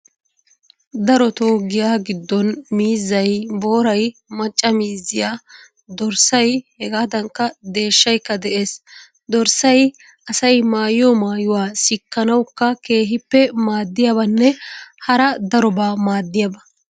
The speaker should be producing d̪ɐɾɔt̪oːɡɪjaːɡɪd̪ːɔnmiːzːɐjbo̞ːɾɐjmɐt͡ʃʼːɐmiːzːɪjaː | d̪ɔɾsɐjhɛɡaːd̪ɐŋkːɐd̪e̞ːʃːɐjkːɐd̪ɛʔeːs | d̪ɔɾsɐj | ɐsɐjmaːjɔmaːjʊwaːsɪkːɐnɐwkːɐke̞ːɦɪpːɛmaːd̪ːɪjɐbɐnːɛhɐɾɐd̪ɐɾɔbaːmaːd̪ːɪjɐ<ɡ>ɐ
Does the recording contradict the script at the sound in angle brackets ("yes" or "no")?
yes